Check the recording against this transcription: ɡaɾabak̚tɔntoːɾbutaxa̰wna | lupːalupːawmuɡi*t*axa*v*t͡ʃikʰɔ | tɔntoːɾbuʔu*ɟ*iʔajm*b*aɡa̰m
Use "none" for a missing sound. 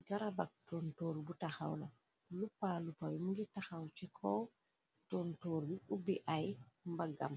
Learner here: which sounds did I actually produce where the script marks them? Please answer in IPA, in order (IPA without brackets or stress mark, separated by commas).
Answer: t, w, b, b